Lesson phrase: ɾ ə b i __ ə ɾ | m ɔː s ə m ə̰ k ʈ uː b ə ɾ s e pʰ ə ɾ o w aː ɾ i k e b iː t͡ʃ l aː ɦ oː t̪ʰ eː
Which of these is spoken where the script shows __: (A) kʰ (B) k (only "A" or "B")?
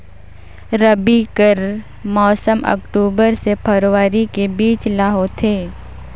B